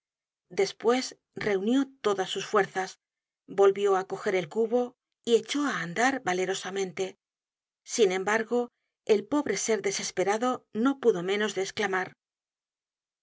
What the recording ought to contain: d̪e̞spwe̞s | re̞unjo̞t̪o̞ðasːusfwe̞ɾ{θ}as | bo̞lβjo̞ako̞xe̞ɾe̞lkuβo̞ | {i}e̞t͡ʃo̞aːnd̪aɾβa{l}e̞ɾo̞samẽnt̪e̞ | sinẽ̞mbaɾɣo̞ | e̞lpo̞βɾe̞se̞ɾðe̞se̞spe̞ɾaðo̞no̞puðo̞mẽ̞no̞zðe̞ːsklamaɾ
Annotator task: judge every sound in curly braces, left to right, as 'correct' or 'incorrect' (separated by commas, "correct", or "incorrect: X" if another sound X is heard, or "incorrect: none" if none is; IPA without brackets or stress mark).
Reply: correct, correct, correct